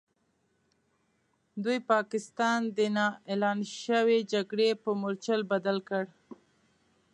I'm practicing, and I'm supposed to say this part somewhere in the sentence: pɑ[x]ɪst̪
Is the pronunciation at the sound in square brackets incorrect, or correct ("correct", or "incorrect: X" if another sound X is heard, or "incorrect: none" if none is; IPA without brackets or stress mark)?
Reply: incorrect: k